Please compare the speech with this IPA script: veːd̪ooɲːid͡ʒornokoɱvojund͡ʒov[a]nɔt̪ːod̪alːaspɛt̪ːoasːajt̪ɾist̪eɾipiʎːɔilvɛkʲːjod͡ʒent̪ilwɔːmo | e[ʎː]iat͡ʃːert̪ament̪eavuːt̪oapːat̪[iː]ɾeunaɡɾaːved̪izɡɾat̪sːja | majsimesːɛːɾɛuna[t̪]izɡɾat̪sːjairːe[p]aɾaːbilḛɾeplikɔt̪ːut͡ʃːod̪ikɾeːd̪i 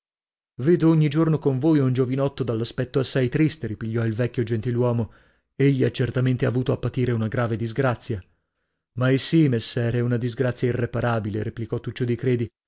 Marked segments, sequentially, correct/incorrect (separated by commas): incorrect, correct, correct, incorrect, correct